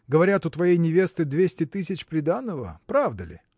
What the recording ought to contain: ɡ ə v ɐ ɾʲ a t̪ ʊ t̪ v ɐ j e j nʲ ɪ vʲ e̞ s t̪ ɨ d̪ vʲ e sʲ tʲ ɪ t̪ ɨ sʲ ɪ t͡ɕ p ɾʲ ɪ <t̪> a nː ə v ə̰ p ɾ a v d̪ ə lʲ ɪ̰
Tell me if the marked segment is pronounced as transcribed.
no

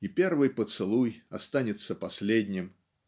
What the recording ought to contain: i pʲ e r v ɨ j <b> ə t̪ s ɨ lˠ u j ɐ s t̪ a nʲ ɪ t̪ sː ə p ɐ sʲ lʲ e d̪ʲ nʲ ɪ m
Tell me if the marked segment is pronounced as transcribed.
no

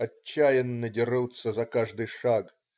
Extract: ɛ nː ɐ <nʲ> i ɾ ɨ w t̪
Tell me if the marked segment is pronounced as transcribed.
no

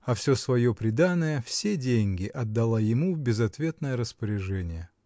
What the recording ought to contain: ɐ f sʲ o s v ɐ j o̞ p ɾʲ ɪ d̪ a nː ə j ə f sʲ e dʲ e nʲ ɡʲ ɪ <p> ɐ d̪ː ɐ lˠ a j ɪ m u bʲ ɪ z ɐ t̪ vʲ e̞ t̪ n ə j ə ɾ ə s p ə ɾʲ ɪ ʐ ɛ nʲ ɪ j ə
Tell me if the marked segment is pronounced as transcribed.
no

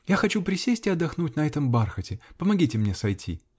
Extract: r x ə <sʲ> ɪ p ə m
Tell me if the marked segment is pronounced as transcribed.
no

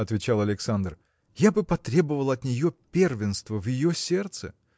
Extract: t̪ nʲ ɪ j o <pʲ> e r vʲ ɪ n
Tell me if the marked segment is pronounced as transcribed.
yes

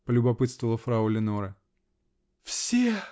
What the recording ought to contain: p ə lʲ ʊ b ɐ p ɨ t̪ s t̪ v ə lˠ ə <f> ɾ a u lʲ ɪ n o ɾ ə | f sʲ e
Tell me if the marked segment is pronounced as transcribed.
yes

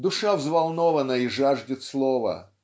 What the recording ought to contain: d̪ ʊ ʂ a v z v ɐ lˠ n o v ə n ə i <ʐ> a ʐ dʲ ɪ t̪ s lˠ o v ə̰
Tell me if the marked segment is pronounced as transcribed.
yes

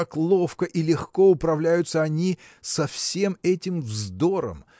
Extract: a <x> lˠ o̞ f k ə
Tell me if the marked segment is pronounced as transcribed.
no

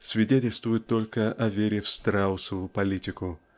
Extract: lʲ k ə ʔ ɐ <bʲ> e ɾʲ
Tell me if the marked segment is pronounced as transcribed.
no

